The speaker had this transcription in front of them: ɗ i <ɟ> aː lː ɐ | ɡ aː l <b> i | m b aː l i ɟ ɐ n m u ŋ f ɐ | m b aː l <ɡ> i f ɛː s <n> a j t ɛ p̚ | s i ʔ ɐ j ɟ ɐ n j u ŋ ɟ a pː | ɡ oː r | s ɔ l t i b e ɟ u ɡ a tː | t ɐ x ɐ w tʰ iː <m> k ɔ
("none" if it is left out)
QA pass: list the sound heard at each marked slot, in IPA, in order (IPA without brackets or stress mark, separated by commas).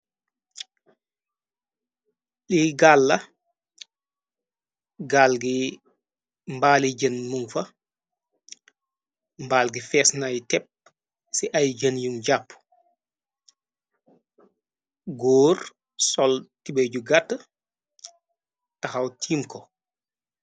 ɡ, ɡ, ɡ, n, m